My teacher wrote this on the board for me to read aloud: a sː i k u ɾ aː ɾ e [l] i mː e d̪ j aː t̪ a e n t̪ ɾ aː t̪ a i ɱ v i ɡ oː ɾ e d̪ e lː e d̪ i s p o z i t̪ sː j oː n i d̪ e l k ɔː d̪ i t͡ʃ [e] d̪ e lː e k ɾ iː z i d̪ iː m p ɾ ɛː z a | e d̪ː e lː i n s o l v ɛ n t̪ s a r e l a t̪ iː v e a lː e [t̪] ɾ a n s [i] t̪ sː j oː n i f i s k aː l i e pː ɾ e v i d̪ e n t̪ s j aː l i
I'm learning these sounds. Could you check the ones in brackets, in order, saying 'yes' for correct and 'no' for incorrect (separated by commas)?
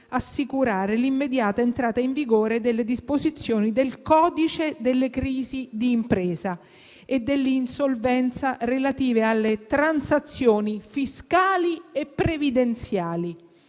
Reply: yes, yes, yes, no